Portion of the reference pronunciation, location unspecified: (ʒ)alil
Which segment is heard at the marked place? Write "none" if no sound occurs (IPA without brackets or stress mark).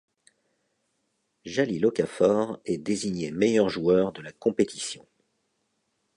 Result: ʒ